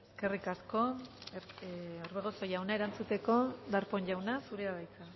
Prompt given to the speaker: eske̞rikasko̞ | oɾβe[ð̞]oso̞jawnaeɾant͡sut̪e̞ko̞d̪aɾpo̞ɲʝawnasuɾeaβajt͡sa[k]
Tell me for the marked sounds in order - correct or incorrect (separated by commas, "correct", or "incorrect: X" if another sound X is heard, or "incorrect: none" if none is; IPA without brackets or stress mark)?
incorrect: ɣ̞, incorrect: none